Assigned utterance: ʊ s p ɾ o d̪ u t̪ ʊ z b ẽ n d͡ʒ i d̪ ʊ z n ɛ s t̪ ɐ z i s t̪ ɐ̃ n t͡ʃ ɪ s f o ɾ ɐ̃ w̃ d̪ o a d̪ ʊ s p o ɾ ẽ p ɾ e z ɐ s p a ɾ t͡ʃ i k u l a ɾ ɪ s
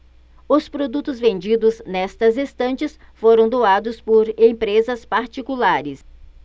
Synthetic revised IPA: ʊ s p ɾ o d̪ u t̪ ʊ z v ẽ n d͡ʒ i d̪ ʊ z n ɛ s t̪ ɐ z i s t̪ ɐ̃ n t͡ʃ ɪ s f o ɾ ɐ̃ w̃ d̪ o a d̪ ʊ s p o ɾ ẽ p ɾ e z ɐ s p a ɾ t͡ʃ i k u l a ɾ ɪ s